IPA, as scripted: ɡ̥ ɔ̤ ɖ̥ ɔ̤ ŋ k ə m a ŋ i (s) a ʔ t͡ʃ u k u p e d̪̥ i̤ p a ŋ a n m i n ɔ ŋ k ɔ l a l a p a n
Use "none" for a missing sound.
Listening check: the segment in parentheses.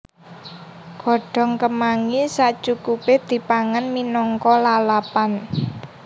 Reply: s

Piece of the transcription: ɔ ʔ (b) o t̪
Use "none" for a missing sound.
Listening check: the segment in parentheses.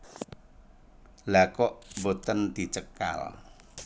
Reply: b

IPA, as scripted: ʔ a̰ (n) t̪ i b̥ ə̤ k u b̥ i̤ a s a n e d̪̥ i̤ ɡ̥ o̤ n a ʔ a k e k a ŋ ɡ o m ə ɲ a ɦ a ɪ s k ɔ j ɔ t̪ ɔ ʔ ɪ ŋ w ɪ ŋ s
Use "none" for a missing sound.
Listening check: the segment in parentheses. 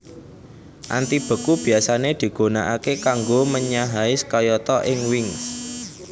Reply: n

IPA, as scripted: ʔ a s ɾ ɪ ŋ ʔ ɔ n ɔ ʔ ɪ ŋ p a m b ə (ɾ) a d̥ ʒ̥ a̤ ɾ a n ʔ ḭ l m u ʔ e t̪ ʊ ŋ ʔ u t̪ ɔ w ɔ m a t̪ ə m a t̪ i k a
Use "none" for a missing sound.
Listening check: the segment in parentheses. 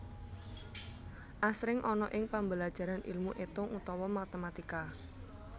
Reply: l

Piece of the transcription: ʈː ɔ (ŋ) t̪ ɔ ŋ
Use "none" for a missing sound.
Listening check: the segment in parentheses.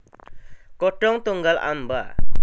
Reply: ŋ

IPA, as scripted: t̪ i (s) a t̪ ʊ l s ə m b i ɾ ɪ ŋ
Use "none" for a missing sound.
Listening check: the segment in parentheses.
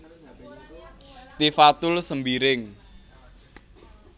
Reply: f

